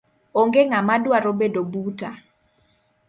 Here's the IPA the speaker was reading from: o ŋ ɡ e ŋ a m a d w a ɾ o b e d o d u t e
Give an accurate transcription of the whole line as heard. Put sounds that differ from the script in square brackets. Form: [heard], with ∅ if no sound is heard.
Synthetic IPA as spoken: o ŋ ɡ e ŋ a m a d w a ɾ o b e d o [b] u t [a]